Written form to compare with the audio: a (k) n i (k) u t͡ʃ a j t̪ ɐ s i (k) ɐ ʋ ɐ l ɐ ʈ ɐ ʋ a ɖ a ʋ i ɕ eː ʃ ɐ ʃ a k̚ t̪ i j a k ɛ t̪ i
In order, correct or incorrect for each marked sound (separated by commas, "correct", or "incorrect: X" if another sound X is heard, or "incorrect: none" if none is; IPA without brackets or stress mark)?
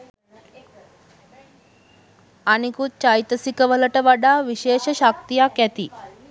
incorrect: none, correct, correct